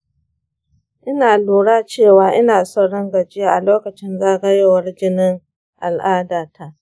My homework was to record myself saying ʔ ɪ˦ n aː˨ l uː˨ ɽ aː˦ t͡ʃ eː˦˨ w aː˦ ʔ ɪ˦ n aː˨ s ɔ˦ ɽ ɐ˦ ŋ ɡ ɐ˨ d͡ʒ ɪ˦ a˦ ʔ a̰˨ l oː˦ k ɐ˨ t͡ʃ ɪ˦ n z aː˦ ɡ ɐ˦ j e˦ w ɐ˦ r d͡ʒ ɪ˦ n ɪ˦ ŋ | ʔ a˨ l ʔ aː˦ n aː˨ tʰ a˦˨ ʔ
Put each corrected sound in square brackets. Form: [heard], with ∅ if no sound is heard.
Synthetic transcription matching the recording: ʔ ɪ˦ n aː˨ l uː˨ ɽ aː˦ t͡ʃ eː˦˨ w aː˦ ʔ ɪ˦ n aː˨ s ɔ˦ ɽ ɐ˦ ŋ ɡ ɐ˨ d͡ʒ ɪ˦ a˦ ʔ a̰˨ l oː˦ k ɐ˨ t͡ʃ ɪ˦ n z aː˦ ɡ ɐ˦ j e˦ w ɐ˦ r d͡ʒ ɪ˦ n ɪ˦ ŋ | ʔ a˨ l ʔ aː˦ [d] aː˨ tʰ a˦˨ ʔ

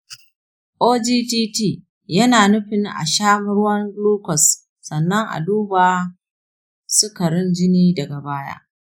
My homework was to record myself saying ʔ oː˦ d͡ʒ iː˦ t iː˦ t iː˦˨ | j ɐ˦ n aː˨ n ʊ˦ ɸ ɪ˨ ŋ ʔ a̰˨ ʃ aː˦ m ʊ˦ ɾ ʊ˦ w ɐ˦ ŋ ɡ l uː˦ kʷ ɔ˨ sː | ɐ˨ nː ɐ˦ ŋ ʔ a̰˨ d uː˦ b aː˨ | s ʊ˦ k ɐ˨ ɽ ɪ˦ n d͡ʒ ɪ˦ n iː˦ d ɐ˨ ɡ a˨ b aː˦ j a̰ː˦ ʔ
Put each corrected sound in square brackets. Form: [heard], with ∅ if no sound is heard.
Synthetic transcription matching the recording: ʔ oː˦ d͡ʒ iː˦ t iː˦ t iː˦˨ | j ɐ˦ n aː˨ n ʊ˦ ɸ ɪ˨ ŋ ʔ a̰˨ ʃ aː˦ m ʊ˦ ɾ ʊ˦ w ɐ˦ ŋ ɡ l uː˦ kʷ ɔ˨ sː | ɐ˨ nː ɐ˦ ŋ ʔ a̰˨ d uː˦ b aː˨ | s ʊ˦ k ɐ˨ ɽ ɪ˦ n d͡ʒ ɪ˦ n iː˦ d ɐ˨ ɡ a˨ b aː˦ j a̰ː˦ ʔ

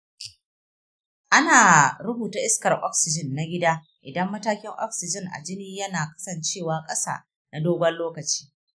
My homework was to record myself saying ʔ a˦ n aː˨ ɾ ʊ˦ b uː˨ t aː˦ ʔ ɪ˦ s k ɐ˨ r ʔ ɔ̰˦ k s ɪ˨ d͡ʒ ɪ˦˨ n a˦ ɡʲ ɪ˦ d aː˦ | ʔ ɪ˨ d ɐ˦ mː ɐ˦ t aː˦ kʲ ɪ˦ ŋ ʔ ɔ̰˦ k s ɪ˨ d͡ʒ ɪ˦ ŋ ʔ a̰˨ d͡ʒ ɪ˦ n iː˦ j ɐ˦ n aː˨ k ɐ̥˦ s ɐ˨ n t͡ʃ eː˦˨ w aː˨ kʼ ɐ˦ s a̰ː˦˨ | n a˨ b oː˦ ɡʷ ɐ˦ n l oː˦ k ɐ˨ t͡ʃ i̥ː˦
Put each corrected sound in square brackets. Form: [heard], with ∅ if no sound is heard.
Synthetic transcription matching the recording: ʔ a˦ n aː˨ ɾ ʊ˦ b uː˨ t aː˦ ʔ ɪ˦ s k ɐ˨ r ʔ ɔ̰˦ k s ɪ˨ d͡ʒ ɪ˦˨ [nː] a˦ ɡʲ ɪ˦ d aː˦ | ʔ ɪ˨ d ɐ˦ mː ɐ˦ t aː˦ kʲ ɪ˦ ŋ ʔ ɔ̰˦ k s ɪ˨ d͡ʒ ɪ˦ ŋ ʔ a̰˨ d͡ʒ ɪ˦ n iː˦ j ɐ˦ n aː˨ k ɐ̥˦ s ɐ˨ n t͡ʃ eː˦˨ w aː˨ kʼ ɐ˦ s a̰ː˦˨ | n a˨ [d] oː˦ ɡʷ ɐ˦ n l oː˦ k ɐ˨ t͡ʃ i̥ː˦

